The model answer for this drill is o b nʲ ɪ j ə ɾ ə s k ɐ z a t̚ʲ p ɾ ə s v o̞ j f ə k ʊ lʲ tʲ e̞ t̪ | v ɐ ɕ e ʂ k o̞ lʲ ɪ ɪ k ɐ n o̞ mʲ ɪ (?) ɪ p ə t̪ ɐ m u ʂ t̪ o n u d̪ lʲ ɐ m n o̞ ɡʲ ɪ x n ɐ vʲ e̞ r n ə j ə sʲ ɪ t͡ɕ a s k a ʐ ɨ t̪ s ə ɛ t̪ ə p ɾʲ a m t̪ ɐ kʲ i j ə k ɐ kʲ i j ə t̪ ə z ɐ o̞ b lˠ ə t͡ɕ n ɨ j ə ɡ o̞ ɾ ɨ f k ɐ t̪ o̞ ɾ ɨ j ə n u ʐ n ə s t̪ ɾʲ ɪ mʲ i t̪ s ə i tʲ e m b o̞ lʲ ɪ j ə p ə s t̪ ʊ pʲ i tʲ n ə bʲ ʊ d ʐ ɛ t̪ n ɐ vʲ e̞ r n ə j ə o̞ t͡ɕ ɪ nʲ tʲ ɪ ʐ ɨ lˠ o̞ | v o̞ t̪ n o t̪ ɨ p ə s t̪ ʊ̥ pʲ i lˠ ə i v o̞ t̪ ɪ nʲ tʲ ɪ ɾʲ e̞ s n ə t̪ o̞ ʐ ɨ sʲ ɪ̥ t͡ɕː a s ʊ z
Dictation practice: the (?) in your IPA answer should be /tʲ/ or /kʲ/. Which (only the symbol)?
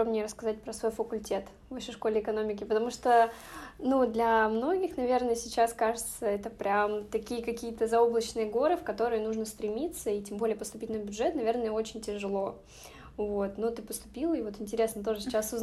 kʲ